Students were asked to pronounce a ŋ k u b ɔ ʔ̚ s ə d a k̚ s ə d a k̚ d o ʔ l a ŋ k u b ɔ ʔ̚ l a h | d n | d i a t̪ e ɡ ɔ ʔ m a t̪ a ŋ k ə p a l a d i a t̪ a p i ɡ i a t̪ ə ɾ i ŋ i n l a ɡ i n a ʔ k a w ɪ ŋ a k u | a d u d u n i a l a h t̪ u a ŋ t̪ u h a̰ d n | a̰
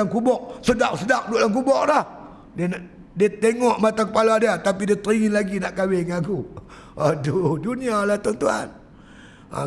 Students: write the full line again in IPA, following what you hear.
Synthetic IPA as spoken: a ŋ k u b ɔ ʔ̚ s ə d a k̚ s ə d a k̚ d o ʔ l a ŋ k u b ɔ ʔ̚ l a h | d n | d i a t̪ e ŋ ɔ ʔ m a t̪ a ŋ k ə p a l a d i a t̪ a p i d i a t̪ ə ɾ i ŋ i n l a ɡ i n a ʔ k a w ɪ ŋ a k u | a d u d u n i a l a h t̪ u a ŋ t̪ u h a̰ n | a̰